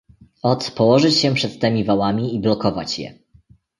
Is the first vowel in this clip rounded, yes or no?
yes